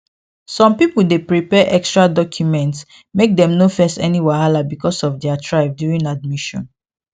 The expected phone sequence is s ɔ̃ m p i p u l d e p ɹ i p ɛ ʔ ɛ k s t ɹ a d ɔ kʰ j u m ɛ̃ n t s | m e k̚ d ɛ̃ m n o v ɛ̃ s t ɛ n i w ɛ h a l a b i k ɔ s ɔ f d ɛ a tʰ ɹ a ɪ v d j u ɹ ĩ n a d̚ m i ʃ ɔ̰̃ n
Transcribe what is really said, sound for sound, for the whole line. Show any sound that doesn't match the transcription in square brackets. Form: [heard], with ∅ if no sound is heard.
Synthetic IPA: s ɔ̃ m p i p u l d e p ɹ i p ɛ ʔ ɛ k s t ɹ a d ɔ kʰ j u m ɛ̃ n t s | m e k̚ d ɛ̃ m n o [f] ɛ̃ s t ɛ n i w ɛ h a l a b i k ɔ s ɔ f d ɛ a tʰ ɹ a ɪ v d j u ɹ ĩ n a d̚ m i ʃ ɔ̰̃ n